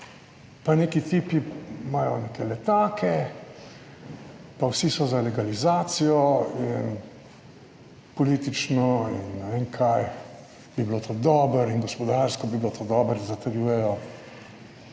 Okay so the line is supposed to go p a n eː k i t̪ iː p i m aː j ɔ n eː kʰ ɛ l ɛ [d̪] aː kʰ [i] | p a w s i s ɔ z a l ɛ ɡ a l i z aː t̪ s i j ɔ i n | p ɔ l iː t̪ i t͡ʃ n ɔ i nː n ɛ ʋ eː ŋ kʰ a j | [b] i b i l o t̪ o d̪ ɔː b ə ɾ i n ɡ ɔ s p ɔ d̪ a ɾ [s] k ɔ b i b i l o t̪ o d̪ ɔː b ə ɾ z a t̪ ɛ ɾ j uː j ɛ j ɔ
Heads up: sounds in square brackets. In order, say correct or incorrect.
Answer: incorrect: t̪, incorrect: ɛ, correct, correct

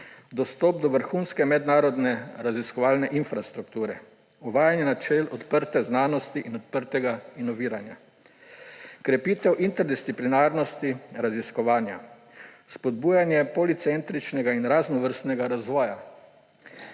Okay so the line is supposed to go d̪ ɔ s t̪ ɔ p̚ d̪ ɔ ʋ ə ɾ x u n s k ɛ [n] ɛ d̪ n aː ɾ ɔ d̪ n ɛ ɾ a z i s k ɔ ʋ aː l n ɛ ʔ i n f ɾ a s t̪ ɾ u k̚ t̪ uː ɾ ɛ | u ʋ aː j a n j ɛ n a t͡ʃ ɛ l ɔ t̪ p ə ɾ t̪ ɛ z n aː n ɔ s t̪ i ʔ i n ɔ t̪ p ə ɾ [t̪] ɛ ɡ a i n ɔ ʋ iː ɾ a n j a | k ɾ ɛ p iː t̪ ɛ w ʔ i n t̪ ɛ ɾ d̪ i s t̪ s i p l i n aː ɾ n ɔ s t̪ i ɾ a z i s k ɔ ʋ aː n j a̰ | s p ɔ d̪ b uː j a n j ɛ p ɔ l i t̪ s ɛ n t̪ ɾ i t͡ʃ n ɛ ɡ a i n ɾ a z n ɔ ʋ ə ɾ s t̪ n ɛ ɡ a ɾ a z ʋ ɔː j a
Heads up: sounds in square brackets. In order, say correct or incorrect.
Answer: incorrect: m, correct

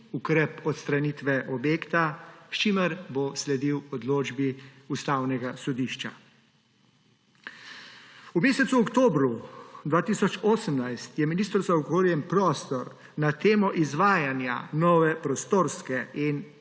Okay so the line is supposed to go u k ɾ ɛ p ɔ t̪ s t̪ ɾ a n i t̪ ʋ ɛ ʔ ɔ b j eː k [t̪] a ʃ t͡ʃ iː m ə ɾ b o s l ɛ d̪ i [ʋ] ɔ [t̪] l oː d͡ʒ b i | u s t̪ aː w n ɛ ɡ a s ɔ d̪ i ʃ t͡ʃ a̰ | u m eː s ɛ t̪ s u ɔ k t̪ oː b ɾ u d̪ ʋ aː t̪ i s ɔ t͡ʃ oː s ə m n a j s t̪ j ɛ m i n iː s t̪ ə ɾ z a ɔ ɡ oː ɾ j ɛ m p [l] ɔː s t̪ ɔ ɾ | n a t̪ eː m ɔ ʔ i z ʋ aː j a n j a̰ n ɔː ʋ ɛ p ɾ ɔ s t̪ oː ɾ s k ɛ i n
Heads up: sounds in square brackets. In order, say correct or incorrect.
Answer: correct, incorrect: w, incorrect: d̪, incorrect: ɾ

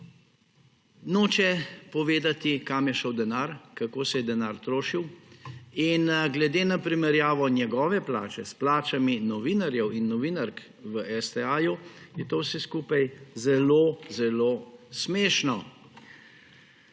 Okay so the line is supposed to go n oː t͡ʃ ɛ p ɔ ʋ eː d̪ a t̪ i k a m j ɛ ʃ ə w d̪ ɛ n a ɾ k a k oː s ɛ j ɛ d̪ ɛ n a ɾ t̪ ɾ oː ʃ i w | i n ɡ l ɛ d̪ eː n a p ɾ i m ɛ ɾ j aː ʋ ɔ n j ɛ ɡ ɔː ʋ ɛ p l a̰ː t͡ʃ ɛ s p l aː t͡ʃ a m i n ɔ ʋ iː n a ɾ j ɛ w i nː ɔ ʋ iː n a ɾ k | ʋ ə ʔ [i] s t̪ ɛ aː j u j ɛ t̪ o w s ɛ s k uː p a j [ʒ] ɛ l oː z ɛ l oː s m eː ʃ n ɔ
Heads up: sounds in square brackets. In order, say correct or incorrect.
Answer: incorrect: ɛ, incorrect: z

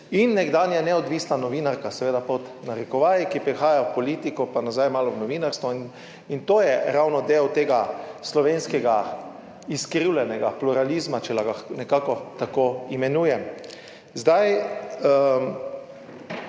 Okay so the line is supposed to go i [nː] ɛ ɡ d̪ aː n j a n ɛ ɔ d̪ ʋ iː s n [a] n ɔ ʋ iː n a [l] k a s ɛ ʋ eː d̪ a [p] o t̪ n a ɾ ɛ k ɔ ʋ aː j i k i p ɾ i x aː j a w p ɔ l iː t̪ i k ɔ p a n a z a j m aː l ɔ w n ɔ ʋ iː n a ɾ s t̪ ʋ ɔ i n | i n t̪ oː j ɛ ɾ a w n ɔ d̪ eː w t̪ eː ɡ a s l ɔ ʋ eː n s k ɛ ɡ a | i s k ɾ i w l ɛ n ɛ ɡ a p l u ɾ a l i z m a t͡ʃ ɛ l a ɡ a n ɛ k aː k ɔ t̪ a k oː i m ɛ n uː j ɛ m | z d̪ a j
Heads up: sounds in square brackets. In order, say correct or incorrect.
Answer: correct, correct, incorrect: ɾ, correct

